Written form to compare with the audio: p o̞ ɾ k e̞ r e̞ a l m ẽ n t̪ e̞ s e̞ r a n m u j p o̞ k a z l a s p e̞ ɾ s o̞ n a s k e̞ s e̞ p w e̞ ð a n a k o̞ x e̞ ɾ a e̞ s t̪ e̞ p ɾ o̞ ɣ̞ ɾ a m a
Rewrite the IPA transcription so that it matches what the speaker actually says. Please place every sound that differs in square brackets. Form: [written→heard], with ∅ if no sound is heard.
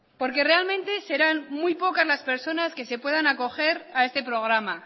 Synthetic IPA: p o̞ ɾ k e̞ r e̞ a l m ẽ n t̪ e̞ s e̞ [r→ɾ] a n m u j p o̞ k a z l a s p e̞ ɾ s o̞ n a s k e̞ s e̞ p w e̞ ð a n a k o̞ x e̞ ɾ a e̞ s t̪ e̞ p ɾ o̞ ɣ̞ ɾ a m a